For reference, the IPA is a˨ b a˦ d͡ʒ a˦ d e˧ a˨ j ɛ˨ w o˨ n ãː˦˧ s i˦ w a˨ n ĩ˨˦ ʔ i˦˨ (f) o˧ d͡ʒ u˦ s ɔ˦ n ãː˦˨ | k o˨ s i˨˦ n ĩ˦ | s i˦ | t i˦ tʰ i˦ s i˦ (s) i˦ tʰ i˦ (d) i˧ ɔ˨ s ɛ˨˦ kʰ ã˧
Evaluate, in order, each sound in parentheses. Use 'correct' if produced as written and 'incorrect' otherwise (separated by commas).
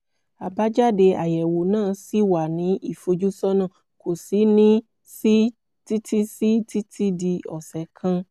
correct, incorrect, correct